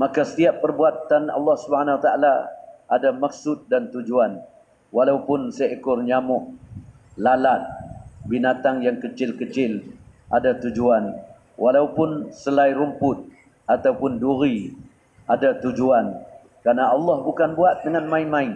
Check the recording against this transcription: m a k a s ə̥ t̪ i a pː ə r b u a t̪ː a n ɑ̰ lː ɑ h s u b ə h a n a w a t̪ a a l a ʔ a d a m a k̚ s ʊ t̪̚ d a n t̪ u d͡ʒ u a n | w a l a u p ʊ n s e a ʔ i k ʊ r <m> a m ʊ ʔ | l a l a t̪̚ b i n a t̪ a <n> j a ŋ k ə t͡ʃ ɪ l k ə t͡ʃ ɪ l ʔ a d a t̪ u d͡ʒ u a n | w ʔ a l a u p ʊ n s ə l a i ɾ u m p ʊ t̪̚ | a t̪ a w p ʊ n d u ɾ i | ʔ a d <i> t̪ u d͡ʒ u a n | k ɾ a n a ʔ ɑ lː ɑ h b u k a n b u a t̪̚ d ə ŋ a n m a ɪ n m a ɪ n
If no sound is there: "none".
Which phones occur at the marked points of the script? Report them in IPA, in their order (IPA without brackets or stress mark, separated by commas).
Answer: ɲ, ŋ, a